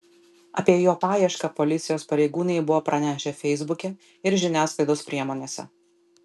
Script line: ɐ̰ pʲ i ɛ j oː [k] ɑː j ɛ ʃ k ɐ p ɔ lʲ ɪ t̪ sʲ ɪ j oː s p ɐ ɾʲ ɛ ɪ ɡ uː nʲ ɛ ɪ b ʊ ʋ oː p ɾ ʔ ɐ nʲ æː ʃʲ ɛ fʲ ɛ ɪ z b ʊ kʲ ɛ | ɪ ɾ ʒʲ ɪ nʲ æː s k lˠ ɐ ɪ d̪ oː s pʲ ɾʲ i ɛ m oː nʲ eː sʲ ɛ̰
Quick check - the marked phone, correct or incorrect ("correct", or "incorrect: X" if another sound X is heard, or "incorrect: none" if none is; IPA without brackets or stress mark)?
incorrect: p